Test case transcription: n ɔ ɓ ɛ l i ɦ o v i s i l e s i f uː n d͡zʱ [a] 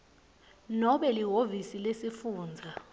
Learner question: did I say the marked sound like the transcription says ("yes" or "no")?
yes